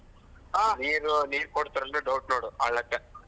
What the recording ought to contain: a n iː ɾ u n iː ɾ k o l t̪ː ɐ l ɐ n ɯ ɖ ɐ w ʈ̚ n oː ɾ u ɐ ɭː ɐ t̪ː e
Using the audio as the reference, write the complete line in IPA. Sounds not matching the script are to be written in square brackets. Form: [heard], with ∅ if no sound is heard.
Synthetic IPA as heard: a n iː ɾ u n iː ɾ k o [ɽ] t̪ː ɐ [ɾ] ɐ n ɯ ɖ ɐ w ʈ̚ n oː [ɽ] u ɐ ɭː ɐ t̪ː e